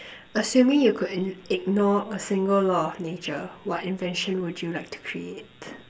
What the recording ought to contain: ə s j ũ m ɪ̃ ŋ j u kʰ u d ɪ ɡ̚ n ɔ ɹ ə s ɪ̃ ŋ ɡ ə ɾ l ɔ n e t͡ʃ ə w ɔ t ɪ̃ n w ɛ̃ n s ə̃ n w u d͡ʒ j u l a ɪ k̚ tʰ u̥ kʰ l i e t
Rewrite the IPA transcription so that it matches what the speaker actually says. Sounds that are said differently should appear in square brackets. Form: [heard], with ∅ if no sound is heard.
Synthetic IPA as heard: ə s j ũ m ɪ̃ ŋ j u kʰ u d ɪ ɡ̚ n ɔ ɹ ə s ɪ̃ ŋ ɡ ə [l] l ɔ n e t͡ʃ ə w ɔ t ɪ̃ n [v] ɛ̃ n [ʃ] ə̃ n w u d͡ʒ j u l a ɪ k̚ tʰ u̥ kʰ [ɹ] i e t